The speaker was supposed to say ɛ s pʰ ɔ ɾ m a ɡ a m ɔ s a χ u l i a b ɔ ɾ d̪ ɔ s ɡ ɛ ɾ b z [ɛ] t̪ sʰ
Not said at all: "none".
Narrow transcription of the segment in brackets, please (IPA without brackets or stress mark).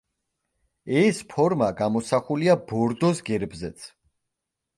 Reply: ɛ